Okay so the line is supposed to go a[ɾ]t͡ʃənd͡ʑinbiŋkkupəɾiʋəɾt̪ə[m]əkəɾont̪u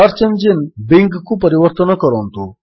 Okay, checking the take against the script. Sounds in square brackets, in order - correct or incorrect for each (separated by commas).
correct, incorrect